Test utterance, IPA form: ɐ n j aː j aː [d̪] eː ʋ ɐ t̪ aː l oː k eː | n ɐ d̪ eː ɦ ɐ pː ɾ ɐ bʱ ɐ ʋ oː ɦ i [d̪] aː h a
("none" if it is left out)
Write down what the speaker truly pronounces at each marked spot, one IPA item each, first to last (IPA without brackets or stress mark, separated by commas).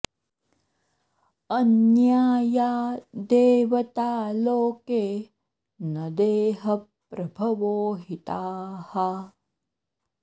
d̪, t̪